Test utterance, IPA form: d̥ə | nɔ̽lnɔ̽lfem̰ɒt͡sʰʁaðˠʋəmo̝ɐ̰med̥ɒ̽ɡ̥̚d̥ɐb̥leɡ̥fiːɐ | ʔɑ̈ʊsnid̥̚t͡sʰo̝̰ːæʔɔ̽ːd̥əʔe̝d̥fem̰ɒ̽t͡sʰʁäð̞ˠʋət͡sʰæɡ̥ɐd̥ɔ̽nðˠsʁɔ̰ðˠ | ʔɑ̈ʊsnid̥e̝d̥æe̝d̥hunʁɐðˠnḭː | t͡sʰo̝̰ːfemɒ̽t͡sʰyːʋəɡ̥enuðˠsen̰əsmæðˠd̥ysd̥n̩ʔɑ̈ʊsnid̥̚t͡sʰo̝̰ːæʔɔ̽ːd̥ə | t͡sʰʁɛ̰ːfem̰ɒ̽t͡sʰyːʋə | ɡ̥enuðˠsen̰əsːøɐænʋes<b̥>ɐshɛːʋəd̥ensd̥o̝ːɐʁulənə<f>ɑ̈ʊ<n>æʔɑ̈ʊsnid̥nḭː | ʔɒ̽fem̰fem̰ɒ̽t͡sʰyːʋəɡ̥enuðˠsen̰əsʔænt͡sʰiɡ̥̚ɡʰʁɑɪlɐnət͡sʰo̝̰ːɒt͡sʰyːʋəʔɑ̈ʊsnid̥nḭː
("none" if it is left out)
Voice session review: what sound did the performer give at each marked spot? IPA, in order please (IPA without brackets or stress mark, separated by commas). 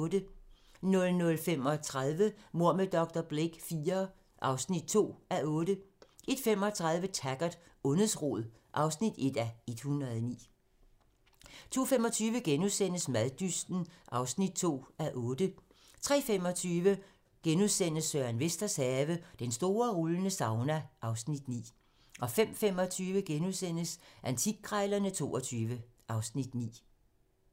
d̥, s, n